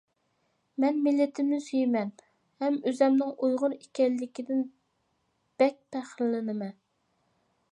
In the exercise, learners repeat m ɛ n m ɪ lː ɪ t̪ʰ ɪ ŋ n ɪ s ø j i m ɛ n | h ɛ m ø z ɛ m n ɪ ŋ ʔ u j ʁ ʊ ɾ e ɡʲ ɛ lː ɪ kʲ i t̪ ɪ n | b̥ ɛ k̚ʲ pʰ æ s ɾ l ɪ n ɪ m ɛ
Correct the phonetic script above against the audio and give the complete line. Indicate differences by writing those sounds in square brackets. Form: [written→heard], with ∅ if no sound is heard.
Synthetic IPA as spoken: m ɛ n m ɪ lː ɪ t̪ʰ ɪ [ŋ→m] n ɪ s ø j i m ɛ n | h ɛ m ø z ɛ m n ɪ ŋ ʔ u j ʁ ʊ ɾ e [ɡʲ→kʲ] ɛ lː ɪ kʲ i [t̪→d̪] ɪ n | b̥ ɛ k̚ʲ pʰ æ [s→χ] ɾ l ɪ n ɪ m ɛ